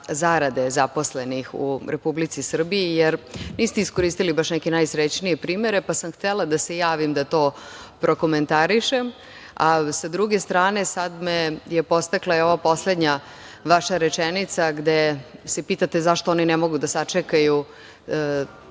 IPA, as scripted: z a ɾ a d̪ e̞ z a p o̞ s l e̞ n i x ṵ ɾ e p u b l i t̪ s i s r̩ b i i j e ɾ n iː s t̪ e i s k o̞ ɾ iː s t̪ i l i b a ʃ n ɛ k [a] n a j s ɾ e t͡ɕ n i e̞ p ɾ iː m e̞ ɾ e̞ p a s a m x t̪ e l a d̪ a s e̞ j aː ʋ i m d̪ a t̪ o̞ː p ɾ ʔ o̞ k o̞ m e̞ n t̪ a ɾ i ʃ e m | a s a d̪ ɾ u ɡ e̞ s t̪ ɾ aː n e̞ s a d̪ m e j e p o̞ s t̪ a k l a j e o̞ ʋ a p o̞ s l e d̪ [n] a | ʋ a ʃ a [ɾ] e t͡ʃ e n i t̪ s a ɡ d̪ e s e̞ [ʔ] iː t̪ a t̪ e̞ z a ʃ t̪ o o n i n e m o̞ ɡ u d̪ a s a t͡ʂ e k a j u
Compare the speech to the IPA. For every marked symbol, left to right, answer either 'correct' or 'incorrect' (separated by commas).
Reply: incorrect, incorrect, correct, incorrect